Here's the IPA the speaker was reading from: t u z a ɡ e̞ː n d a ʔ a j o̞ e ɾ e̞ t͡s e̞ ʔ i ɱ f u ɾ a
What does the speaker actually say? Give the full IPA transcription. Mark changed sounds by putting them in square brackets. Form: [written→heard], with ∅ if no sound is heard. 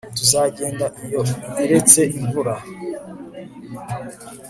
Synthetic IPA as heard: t u z a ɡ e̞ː n d a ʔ [a→i] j o̞ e ɾ e̞ t͡s e̞ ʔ i ɱ [f→v] u ɾ a